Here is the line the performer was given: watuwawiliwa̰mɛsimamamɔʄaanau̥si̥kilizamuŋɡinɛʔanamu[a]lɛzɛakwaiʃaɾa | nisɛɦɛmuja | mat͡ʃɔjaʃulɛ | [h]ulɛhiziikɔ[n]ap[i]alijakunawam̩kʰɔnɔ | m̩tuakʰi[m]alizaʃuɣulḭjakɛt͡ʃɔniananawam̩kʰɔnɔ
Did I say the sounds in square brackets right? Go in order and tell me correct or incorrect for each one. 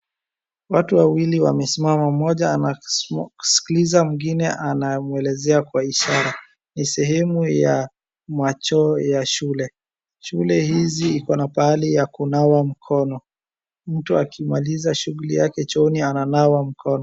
incorrect: ɛ, incorrect: ʃ, correct, incorrect: a, correct

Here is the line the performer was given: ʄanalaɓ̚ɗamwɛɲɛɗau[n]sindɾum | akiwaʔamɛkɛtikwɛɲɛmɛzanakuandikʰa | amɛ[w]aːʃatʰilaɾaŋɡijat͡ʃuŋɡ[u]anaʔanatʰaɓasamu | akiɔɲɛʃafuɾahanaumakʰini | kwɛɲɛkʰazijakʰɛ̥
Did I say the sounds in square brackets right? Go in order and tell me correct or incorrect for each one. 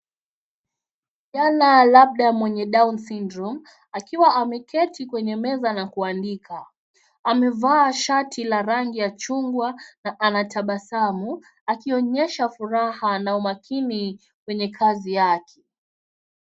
correct, incorrect: v, incorrect: w

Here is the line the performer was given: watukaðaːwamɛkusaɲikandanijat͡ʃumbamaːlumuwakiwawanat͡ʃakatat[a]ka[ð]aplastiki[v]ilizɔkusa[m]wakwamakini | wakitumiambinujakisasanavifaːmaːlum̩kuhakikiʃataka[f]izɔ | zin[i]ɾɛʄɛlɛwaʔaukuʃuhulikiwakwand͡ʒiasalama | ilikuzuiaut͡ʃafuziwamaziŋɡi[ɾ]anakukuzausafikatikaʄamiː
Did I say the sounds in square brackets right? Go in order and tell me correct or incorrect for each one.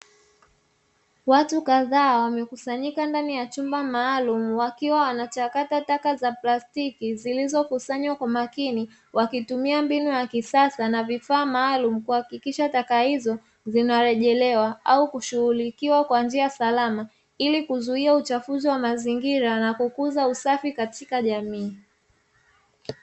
correct, incorrect: z, incorrect: z, incorrect: ɲ, incorrect: h, incorrect: a, correct

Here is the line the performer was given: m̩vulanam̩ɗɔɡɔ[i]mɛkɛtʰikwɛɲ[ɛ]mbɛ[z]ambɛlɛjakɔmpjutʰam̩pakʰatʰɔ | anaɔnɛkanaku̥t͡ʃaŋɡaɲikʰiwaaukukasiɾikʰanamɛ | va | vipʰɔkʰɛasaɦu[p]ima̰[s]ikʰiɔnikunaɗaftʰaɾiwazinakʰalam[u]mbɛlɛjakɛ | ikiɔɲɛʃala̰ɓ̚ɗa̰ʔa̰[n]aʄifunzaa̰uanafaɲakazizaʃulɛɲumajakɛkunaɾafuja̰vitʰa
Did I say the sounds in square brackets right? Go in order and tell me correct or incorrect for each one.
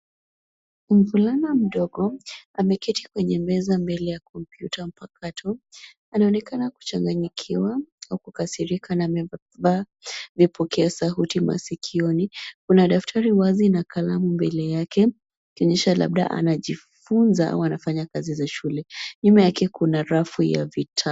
incorrect: a, correct, correct, incorrect: t, correct, correct, correct

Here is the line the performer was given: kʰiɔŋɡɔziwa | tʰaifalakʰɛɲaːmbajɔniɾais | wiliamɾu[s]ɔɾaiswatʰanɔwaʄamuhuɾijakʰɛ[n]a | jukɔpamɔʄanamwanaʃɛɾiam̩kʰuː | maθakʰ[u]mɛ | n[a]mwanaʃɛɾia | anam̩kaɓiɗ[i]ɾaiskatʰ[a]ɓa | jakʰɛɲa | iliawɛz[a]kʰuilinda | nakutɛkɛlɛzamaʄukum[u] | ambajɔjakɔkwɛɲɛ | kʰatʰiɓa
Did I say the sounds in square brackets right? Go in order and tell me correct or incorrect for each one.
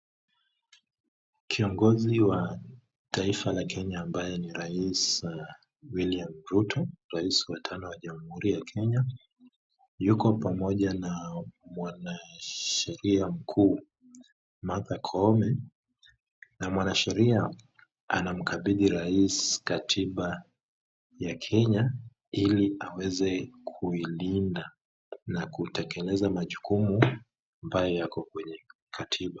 incorrect: t, incorrect: ɲ, incorrect: ɔ, correct, correct, incorrect: i, incorrect: ɛ, correct

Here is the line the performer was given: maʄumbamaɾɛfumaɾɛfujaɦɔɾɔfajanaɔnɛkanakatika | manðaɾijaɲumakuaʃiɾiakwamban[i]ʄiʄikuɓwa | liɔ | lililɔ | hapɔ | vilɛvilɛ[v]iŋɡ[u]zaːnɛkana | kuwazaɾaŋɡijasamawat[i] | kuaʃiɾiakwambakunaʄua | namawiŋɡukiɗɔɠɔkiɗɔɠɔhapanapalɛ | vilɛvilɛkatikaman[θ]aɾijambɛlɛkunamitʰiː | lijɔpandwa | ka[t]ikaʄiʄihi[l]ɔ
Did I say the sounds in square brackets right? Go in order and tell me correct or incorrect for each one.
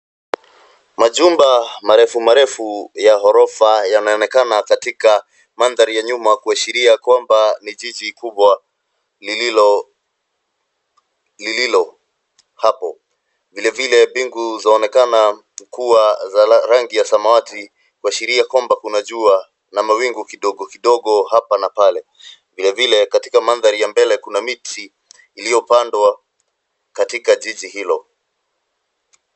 correct, incorrect: b, correct, correct, incorrect: ð, correct, correct

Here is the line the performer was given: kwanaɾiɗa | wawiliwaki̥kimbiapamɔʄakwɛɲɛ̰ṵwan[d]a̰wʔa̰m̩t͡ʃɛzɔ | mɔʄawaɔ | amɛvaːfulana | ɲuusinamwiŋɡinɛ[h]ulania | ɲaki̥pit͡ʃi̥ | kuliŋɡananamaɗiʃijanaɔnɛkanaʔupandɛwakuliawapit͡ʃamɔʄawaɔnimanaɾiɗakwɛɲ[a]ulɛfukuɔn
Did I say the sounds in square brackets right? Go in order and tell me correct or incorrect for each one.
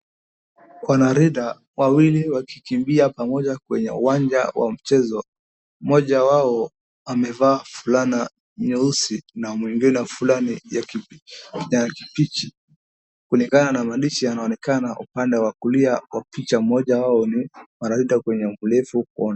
incorrect: d͡ʒ, incorrect: f, incorrect: ɛ

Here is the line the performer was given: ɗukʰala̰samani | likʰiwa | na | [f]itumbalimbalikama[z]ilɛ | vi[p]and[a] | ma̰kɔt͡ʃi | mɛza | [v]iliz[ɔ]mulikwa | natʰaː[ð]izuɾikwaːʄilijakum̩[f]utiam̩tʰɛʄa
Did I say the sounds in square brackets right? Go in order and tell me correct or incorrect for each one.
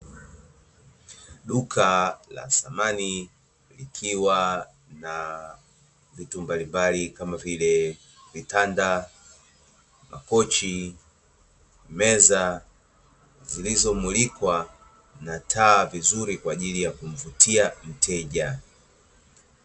incorrect: v, incorrect: v, incorrect: t, correct, incorrect: z, correct, incorrect: v, incorrect: v

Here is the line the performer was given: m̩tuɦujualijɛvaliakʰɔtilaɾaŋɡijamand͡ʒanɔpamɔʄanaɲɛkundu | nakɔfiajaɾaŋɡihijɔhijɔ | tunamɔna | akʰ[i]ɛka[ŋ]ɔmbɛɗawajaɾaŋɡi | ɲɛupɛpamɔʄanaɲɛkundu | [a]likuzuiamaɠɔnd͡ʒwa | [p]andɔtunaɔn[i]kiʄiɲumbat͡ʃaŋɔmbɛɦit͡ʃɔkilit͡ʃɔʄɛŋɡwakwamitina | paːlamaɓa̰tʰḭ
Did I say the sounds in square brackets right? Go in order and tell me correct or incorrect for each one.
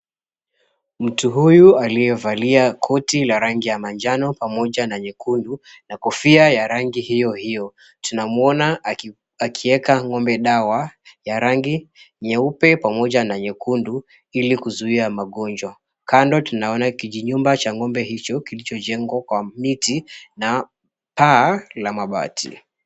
correct, correct, incorrect: i, incorrect: k, incorrect: a

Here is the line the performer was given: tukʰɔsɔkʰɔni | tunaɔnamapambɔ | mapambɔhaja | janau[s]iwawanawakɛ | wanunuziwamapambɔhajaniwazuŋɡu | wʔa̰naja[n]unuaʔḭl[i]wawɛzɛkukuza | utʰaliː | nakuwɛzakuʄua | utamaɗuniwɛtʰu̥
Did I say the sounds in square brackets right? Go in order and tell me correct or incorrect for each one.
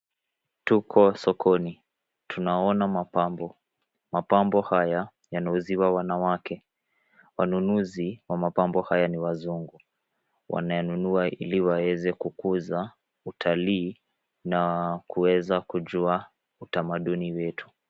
incorrect: z, correct, correct

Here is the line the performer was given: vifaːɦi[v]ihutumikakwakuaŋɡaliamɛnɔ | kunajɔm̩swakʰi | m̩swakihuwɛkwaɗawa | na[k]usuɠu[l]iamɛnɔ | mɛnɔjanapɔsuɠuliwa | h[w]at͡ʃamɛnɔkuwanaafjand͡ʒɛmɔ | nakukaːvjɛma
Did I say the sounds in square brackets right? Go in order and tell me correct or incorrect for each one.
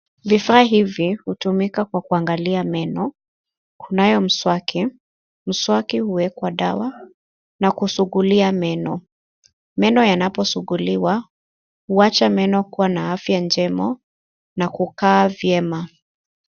correct, correct, correct, incorrect: u

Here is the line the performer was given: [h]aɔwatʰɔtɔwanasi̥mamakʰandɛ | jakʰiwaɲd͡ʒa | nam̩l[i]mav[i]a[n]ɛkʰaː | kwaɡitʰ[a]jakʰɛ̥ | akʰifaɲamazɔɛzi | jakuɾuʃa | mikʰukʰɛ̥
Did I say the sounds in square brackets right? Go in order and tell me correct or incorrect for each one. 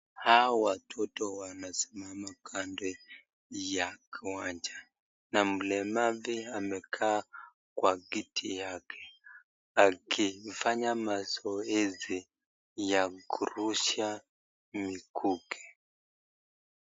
correct, incorrect: ɛ, correct, incorrect: m, incorrect: i

